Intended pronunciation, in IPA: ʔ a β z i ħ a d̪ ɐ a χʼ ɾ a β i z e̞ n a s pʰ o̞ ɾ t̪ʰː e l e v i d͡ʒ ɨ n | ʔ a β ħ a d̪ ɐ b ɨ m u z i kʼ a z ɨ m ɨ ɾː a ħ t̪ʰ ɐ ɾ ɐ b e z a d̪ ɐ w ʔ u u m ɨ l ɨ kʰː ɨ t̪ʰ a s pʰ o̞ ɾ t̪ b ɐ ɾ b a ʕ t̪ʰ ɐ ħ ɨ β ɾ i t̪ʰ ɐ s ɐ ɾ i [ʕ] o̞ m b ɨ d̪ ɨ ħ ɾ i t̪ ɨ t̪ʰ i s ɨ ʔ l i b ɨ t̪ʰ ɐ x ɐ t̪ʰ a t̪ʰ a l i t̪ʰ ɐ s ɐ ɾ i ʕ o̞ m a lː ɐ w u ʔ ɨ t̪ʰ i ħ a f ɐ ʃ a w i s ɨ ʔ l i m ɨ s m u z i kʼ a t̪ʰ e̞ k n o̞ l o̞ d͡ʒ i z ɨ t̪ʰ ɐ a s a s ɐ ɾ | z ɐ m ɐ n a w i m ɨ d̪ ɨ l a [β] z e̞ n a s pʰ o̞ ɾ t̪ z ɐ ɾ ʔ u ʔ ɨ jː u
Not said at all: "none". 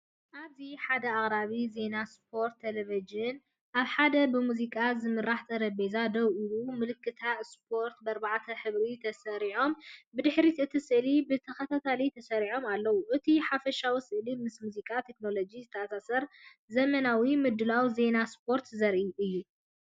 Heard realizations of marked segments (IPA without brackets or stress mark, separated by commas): ʕ, w